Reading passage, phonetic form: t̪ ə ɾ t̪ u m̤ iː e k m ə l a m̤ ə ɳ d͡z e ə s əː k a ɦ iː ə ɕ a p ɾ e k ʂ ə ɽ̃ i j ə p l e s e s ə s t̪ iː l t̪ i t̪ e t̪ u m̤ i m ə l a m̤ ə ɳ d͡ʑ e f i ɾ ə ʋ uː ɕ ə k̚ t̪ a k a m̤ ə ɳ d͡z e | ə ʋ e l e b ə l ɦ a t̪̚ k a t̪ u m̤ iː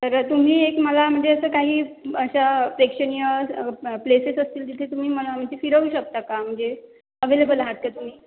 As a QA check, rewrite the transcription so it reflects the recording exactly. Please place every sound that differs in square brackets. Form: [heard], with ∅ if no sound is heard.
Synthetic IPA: t̪ ə ɾ t̪ u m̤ iː e k m ə l a m̤ ə ɳ d͡z e ə s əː k a ɦ iː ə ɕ a p ɾ e k ʂ ə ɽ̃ i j ə p l e s e s ə s t̪ iː l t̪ i [t̪ʰ] e t̪ u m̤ [iː] m ə l a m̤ ə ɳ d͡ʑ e f i ɾ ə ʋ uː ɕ ə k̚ t̪ a k a m̤ ə ɳ d͡z e | ə ʋ e l e b ə l ɦ a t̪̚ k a t̪ u m̤ iː